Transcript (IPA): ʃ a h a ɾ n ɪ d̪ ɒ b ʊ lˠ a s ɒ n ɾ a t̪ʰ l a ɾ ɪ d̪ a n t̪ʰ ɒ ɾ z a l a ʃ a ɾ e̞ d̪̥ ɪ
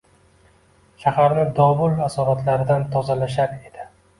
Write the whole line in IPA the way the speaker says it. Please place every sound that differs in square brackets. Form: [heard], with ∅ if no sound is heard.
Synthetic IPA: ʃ a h a ɾ n ɪ d̪ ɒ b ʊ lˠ a s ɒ [∅] ɾ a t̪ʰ l a ɾ ɪ d̪ a n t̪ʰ ɒ [∅] z a l a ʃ a ɾ e̞ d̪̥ ɪ